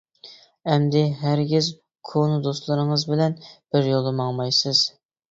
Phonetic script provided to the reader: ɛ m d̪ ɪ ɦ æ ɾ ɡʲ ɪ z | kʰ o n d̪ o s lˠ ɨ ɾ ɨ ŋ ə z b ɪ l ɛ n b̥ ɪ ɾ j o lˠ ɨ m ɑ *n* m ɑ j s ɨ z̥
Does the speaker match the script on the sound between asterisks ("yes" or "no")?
no